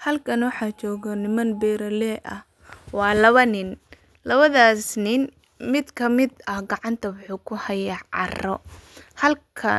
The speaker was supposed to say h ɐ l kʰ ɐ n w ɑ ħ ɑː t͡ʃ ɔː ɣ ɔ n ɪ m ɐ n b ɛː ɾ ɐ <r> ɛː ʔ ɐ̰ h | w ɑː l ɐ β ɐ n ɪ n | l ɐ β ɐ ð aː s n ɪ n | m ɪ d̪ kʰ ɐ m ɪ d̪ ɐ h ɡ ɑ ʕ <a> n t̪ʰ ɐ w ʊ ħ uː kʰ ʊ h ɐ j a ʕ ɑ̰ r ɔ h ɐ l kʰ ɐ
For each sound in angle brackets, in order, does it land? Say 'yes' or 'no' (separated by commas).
no, no